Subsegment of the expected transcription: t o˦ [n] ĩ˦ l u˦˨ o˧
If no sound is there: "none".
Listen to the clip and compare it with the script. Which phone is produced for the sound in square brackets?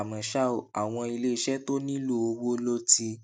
n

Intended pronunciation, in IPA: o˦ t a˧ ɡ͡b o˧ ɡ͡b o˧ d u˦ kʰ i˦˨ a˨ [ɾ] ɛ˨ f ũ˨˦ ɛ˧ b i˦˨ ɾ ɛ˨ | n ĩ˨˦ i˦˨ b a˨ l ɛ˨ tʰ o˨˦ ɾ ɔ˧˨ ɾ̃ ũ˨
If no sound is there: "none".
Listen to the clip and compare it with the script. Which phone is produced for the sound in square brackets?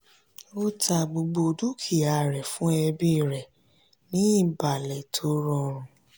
ɾ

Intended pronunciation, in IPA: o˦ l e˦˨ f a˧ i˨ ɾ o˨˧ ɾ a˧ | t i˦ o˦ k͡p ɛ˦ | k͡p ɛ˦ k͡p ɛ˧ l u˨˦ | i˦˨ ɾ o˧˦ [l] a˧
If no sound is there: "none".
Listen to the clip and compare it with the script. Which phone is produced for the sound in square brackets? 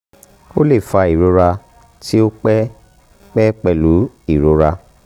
ɾ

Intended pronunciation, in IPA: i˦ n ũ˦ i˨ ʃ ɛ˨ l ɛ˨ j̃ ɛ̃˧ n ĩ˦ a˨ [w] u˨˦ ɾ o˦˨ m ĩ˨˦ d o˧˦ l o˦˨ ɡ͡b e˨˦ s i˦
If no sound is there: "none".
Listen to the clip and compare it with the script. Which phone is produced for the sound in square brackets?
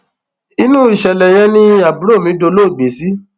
b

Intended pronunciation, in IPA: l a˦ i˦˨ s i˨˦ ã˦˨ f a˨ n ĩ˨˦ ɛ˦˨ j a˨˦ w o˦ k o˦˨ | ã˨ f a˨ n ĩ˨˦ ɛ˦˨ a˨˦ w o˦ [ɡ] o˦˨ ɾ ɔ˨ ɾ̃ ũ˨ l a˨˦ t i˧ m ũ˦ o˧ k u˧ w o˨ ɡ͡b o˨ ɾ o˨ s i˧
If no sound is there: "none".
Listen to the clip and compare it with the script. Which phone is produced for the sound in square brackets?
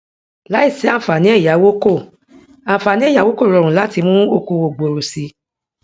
k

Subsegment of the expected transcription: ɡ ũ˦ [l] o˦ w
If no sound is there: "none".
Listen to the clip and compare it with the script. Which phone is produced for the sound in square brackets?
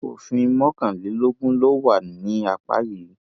l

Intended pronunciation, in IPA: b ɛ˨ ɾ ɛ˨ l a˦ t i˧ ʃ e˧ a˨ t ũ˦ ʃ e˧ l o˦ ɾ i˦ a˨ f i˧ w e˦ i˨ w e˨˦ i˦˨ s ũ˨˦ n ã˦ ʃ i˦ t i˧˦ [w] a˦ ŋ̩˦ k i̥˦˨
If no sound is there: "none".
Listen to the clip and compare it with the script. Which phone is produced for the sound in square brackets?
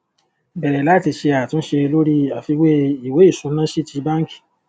b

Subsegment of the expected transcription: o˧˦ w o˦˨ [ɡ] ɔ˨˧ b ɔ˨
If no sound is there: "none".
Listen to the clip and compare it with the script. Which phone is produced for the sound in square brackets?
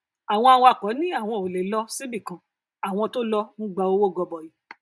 ɡ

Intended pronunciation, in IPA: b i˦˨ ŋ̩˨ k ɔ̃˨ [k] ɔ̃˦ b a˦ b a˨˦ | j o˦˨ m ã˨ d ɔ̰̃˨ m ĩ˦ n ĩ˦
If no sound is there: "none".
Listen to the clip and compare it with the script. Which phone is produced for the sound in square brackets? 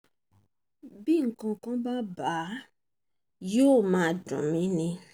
k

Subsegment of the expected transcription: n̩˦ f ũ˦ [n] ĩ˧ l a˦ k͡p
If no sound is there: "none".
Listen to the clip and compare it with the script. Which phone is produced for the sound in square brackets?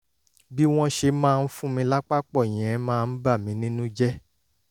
m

